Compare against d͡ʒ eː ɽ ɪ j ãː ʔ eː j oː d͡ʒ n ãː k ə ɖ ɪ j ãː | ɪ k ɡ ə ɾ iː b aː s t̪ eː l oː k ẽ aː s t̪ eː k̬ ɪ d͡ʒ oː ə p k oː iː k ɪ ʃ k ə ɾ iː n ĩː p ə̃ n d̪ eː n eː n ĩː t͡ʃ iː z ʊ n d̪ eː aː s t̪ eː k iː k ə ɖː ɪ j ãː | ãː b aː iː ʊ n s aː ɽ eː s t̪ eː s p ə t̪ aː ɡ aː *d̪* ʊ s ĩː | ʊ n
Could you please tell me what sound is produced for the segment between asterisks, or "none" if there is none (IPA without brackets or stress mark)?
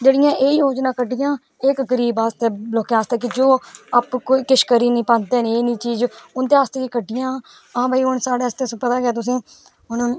t̪